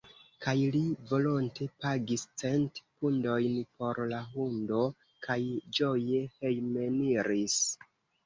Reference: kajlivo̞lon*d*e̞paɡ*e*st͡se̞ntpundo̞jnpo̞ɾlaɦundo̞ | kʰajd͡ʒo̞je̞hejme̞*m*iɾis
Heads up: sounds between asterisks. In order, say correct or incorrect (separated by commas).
incorrect, incorrect, incorrect